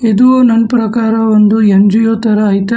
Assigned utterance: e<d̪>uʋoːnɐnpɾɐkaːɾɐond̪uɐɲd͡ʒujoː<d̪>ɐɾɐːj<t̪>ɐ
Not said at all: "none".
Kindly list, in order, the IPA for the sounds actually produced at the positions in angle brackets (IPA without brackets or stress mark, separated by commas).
d̪, t̪, t̪